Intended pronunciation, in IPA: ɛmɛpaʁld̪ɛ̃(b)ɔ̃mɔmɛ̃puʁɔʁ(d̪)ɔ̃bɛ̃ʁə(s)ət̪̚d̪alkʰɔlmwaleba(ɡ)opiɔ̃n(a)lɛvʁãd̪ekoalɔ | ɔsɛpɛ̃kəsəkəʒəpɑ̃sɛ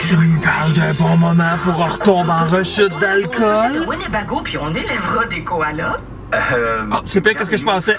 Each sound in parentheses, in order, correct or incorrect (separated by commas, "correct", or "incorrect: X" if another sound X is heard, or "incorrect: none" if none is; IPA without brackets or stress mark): correct, incorrect: t̪, incorrect: ʃ, correct, incorrect: e